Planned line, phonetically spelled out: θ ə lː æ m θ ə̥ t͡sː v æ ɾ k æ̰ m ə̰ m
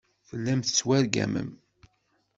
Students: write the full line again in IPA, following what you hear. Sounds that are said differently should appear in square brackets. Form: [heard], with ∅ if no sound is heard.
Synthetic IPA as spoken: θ ə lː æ m θ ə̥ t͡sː [w] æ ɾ [ɡ] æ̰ m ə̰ m